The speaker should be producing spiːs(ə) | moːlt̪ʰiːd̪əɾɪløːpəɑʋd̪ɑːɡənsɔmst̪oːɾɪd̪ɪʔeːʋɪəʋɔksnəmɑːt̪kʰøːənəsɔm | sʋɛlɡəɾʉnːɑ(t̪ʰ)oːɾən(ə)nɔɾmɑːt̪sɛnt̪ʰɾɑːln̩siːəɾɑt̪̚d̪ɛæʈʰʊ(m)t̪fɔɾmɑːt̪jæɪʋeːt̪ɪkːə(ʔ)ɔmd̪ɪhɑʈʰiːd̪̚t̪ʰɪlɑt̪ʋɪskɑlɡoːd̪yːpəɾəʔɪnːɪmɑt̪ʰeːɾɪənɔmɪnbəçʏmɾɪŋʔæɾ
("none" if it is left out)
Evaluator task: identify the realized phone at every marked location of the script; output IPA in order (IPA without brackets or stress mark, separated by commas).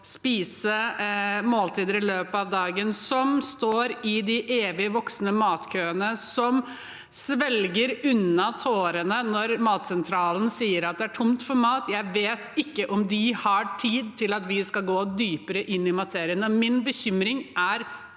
ə, t̪ʰ, ə, m, ʔ